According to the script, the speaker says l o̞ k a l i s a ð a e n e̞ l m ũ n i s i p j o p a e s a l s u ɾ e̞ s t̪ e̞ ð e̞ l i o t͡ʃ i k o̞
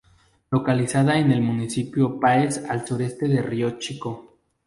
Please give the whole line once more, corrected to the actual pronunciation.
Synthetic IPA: l o̞ k a l i s a ð a e n e̞ l m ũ n i s i p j o p a e s a l s u ɾ e̞ s t̪ e̞ ð e̞ r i o t͡ʃ i k o̞